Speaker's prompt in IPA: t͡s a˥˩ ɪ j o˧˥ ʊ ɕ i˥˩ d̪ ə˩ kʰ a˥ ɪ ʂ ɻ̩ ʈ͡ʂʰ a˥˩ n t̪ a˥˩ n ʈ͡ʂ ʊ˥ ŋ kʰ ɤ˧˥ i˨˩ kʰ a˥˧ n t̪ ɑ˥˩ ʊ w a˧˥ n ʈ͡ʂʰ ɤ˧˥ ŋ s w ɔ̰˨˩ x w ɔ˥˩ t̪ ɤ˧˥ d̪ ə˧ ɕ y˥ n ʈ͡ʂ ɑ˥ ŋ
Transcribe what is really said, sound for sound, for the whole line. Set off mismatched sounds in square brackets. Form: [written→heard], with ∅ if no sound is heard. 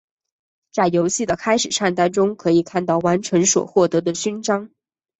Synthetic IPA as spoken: t͡s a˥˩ ɪ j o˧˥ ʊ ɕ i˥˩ d̪ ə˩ kʰ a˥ ɪ ʂ ɻ̩ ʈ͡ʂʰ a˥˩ n t̪ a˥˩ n ʈ͡ʂ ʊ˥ ŋ kʰ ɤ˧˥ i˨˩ kʰ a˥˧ n t̪ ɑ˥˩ ʊ w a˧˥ n ʈ͡ʂʰ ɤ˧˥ ŋ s w ɔ̰˨˩ x w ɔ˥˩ t̪ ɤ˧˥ d̪ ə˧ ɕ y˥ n ʈ͡ʂ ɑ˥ ŋ